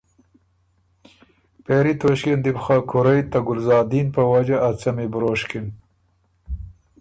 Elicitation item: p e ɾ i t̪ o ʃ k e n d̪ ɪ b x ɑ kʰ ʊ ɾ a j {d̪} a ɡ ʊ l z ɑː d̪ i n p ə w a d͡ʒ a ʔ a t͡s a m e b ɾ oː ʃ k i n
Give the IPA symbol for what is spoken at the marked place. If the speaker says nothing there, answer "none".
t̪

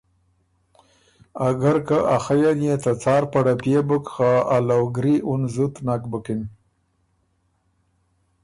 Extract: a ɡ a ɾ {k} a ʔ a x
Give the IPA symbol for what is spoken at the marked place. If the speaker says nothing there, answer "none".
k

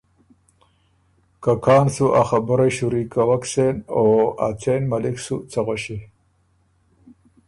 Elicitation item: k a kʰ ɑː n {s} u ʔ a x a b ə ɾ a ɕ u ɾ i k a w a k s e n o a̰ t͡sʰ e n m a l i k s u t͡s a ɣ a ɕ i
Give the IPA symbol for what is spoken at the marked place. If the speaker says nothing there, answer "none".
s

